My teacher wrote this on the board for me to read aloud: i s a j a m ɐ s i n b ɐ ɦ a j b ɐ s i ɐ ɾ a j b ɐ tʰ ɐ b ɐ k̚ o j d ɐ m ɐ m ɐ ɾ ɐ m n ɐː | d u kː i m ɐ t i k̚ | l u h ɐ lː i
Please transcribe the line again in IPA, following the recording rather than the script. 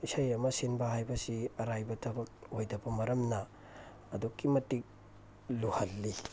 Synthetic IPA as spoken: i s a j ɐ m ɐ s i n b ɐ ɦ a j b ɐ s i ɐ ɾ a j b ɐ tʰ ɐ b ɐ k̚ o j d ɐ b ɐ m ɐ ɾ ɐ m n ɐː | d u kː i m ɐ t i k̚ | l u h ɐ lː i